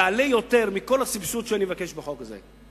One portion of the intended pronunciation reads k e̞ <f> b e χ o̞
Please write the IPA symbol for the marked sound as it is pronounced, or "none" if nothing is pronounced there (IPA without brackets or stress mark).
ʃ